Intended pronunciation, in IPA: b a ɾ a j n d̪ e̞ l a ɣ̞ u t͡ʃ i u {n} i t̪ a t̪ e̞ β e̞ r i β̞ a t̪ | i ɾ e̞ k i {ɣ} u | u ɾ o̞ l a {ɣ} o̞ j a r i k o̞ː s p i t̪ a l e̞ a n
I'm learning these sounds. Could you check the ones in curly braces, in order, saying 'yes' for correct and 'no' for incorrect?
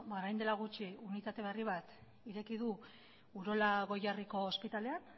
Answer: yes, no, yes

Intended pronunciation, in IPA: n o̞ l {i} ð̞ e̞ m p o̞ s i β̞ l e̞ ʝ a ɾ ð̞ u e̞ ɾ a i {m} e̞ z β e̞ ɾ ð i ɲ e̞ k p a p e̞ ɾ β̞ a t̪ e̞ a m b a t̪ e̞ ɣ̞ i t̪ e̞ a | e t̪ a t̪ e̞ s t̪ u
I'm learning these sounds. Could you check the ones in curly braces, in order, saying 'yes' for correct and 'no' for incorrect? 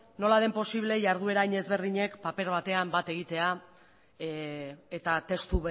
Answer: no, no

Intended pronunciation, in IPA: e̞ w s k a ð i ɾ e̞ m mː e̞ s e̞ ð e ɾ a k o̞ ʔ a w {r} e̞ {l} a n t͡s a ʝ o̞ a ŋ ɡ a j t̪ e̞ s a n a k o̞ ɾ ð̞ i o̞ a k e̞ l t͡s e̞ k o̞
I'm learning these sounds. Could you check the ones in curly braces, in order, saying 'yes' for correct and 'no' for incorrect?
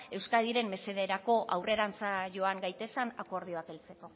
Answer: yes, no

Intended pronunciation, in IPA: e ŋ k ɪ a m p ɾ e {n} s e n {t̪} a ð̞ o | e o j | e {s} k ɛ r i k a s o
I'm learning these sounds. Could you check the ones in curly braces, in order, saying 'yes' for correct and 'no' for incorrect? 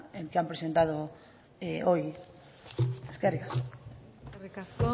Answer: no, yes, yes

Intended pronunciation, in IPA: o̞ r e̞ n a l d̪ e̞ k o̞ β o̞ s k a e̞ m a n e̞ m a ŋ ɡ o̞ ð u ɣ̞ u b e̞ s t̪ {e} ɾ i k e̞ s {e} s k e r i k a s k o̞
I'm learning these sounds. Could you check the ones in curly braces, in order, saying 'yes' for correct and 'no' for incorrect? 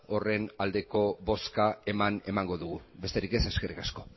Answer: yes, yes

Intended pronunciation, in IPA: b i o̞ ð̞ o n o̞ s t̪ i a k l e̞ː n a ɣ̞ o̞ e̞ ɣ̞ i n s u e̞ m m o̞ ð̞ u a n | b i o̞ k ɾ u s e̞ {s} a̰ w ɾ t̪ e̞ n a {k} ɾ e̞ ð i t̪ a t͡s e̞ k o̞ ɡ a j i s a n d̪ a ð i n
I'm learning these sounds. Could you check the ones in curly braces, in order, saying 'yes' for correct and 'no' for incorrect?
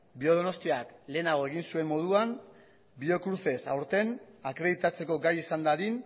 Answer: yes, yes

